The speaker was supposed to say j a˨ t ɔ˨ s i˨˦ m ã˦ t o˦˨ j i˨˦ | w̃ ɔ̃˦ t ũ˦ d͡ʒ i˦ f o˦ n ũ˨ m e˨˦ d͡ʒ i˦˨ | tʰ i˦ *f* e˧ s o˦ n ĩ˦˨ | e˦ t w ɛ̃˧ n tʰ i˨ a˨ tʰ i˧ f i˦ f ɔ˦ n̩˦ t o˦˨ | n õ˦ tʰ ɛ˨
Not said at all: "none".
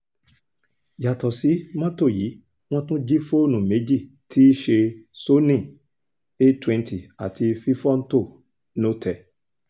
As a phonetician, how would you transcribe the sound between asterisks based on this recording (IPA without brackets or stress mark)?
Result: ʃ